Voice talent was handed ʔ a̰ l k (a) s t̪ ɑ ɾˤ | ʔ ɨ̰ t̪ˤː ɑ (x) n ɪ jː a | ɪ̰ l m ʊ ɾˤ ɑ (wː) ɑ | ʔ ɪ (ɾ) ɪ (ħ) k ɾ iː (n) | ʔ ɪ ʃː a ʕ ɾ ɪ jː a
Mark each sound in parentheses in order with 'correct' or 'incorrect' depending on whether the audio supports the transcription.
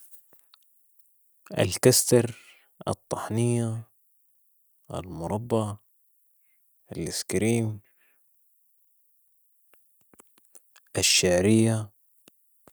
correct, incorrect: ħ, incorrect: bː, incorrect: l, incorrect: s, incorrect: m

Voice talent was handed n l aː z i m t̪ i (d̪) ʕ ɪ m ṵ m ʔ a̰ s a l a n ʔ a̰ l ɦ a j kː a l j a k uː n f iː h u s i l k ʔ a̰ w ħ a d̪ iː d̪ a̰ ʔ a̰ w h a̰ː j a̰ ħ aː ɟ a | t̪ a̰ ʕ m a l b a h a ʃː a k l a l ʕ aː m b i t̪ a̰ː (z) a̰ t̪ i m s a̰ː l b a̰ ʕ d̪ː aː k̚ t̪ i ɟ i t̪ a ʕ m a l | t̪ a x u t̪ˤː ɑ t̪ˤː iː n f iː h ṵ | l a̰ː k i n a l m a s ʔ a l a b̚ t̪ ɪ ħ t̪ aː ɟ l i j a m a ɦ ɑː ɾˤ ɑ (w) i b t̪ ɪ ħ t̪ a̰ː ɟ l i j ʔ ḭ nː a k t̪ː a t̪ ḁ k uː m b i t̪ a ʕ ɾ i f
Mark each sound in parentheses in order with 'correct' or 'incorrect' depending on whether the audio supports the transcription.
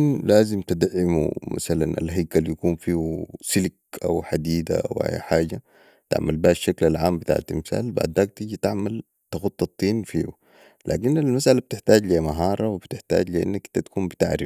correct, incorrect: ʕ, correct

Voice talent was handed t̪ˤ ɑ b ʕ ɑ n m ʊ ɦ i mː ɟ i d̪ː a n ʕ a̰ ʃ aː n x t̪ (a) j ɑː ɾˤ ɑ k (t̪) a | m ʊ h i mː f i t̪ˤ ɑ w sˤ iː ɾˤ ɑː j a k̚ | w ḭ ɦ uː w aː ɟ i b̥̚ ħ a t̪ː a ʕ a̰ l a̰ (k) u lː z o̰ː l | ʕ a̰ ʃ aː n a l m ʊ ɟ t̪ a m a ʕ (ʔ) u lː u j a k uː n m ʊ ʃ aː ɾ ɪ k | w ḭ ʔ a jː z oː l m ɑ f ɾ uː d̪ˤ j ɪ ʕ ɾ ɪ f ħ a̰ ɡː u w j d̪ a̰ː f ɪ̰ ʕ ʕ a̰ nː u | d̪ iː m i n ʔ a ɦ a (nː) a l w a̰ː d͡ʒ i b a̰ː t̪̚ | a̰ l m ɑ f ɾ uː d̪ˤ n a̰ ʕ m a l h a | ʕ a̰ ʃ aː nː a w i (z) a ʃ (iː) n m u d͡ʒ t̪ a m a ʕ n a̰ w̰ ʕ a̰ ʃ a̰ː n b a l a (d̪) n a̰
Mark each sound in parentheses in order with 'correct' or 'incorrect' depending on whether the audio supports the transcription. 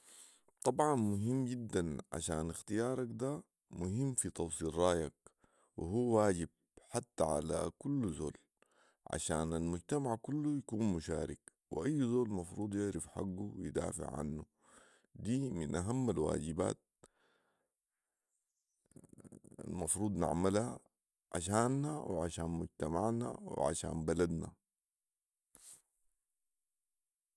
incorrect: i, incorrect: d̪, correct, incorrect: k, incorrect: mː, incorrect: ʕ, incorrect: aː, correct

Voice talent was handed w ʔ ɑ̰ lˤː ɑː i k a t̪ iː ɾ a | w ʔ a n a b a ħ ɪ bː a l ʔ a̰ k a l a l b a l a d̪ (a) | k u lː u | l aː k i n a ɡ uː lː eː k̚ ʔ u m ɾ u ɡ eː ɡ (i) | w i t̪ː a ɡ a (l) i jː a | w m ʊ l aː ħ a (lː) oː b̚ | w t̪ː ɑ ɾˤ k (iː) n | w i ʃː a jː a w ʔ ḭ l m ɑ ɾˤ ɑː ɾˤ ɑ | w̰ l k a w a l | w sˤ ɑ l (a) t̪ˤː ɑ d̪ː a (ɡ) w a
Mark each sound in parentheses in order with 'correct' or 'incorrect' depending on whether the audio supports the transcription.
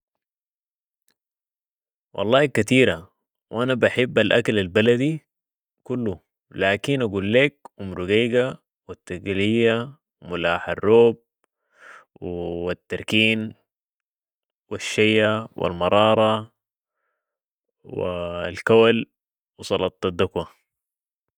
incorrect: i, incorrect: a, correct, incorrect: rː, correct, incorrect: ɑ, incorrect: k

